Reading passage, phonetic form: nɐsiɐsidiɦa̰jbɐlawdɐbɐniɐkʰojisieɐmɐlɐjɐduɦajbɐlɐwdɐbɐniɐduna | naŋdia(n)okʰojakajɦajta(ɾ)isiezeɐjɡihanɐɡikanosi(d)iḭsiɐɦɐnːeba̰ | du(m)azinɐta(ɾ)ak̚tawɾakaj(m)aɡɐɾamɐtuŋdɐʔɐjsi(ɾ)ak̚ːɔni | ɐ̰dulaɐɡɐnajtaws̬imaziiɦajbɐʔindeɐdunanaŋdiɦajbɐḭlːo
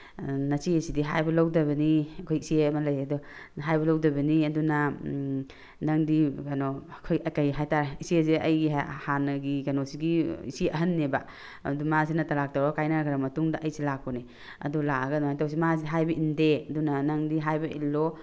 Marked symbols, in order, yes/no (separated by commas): yes, yes, no, yes, no, no, no